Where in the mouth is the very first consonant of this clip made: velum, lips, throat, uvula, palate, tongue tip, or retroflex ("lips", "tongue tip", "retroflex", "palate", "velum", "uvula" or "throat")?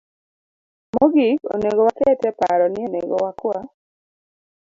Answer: lips